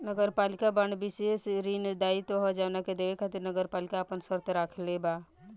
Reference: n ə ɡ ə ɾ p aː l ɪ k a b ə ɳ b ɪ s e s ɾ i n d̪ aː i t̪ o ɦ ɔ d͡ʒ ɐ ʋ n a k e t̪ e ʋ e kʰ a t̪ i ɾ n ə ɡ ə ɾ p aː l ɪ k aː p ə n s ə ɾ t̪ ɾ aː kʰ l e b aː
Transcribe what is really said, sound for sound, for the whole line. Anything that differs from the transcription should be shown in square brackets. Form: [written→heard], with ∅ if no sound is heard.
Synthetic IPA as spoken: n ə ɡ ə ɾ p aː l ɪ k a b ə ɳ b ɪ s e s ɾ i n d̪ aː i t̪ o ɦ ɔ d͡ʒ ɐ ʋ n a k e [t̪→d̪] e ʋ e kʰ a t̪ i ɾ n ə ɡ ə ɾ p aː l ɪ k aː p ə n s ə ɾ t̪ ɾ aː kʰ l e b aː